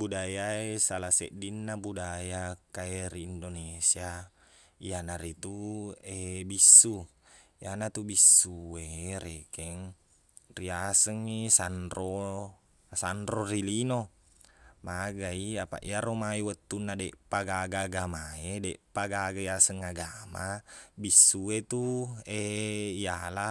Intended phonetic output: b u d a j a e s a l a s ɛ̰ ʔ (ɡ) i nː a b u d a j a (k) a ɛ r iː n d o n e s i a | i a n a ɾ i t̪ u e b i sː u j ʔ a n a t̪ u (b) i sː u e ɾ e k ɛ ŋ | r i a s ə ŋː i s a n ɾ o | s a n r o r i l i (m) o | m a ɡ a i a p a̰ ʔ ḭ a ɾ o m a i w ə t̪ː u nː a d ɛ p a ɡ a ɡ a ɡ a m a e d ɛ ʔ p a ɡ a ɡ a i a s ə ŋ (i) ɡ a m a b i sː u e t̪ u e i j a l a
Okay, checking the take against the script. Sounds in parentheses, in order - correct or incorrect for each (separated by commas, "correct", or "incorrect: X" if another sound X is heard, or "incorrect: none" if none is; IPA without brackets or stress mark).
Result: incorrect: d, correct, correct, incorrect: n, incorrect: a